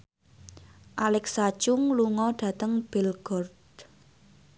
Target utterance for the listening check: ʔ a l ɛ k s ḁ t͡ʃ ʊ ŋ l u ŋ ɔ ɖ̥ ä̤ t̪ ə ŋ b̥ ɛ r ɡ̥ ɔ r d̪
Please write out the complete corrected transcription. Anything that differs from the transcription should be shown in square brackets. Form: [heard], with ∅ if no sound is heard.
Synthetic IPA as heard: ʔ a l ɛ k s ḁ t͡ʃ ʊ ŋ l u ŋ ɔ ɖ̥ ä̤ t̪ ə ŋ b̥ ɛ [l] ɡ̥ ɔ r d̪

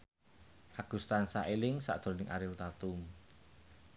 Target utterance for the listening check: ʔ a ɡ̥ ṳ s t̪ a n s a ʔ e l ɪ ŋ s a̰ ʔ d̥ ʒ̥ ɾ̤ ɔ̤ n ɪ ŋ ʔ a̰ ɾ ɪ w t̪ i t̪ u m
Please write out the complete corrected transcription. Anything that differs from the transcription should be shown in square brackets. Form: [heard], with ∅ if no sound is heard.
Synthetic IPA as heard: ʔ a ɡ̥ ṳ s t̪ a n s a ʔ e l ɪ ŋ s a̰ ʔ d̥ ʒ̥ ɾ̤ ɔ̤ n ɪ ŋ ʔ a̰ ɾ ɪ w t̪ [a] t̪ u m

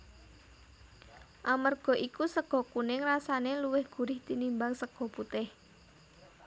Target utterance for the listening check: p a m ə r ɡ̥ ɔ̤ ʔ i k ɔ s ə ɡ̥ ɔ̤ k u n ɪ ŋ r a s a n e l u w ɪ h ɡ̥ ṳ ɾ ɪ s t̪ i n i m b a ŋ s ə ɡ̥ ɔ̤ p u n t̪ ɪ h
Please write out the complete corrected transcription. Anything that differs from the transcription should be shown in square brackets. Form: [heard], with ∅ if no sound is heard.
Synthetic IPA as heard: [ʔ] a m ə r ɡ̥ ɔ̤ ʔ i k [u] s ə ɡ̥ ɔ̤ k u n ɪ ŋ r a s a n e l u w ɪ h ɡ̥ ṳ ɾ ɪ [h] t̪ i n i m b a ŋ s ə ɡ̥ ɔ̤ p u [∅] t̪ ɪ h

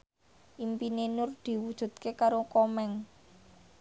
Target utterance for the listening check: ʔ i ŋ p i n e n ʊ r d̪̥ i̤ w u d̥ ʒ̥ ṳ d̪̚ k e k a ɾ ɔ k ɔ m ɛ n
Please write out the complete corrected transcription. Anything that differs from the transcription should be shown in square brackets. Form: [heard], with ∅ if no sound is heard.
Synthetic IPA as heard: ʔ i [m] p i n e n ʊ r d̪̥ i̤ w u d̥ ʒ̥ ṳ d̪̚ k e k a ɾ [o] k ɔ m ɛ [ŋ]

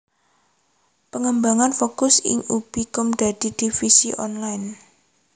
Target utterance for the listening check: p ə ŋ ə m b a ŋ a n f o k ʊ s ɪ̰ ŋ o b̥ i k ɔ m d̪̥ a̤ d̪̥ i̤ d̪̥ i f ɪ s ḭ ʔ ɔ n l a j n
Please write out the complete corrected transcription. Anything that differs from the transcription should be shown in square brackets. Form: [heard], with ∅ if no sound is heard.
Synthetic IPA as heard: p ə ŋ ə m b a ŋ a n f o k ʊ s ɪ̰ ŋ [u] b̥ i k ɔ m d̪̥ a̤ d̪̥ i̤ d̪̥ i f [i] s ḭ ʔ ɔ n l a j n

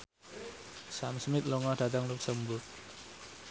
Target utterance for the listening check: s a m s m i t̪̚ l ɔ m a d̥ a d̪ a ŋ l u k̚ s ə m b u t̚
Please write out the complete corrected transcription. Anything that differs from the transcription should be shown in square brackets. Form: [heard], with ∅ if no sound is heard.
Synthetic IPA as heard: s a m s m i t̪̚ l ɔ [ŋ] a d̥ a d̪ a ŋ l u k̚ s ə m b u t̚

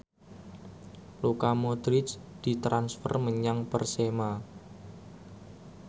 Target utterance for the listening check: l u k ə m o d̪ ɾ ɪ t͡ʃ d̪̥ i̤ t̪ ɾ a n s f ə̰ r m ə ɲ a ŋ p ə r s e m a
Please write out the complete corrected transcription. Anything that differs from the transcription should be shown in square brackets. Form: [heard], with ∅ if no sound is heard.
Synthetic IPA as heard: l u k [a] m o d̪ ɾ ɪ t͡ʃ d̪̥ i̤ t̪ ɾ a n s f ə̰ r m ə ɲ a ŋ p ə r s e m a

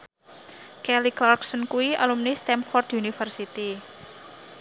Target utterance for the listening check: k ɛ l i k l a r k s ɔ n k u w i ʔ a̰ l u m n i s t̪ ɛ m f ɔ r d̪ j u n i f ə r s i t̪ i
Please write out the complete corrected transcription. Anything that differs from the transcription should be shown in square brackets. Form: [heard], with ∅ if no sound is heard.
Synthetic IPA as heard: k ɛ l i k l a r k s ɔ n k u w i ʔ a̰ l u m n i s t̪ ɛ m f ɔ r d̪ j u n i f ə r s i t̪ i

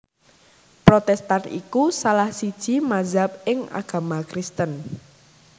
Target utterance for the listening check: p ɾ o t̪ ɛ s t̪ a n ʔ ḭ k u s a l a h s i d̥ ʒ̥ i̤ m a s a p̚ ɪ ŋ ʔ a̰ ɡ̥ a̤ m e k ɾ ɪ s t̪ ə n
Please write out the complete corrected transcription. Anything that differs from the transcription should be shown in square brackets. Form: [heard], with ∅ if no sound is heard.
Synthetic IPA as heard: p ɾ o t̪ ɛ s t̪ a n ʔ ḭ k u s a l a h s i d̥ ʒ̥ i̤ m a [z] a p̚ ɪ ŋ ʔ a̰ ɡ̥ a̤ m [a] k ɾ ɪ s t̪ ə n

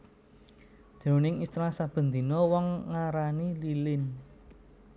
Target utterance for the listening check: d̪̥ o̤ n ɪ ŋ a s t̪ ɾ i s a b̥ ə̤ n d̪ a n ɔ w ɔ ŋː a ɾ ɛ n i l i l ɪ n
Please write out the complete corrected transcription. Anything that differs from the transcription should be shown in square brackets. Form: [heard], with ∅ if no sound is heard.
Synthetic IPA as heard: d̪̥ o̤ n ɪ ŋ [i] s t̪ ɾ [a] s a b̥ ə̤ n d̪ [i] n ɔ w ɔ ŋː a ɾ [a] n i l i l ɪ n

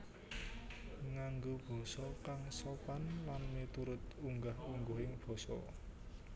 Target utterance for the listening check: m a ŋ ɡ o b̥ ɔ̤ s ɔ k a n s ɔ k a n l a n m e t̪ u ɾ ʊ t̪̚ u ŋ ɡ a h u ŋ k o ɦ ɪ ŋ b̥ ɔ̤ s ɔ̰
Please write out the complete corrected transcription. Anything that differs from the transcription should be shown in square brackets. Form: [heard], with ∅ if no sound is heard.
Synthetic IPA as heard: [ŋ] a ŋ ɡ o b̥ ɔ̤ s ɔ k a [ŋ] s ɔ [p] a n l a n m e t̪ u ɾ ʊ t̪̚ u ŋ ɡ a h u ŋ [ɡ] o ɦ ɪ ŋ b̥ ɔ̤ s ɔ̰

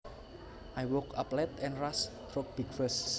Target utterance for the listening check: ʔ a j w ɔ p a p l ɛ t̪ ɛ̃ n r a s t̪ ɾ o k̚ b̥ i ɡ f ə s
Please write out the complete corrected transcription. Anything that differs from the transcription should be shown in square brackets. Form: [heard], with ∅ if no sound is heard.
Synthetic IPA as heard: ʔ a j w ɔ [k] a p l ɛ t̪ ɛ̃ n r a s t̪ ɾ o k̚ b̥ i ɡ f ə s

